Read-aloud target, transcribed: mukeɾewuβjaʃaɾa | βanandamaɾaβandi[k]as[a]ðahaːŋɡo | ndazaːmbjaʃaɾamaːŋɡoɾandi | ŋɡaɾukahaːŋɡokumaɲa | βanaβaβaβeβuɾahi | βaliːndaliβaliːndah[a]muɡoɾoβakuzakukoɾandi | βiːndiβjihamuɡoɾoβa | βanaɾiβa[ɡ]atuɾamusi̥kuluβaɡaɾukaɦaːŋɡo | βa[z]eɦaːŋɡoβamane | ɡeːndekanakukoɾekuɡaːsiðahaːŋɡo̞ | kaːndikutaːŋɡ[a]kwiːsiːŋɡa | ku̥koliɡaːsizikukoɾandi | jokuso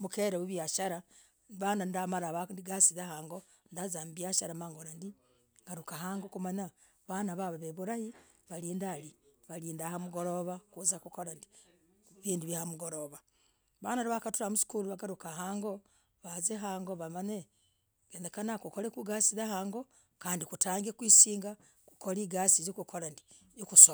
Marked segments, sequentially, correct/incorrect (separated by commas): incorrect, incorrect, correct, incorrect, correct, incorrect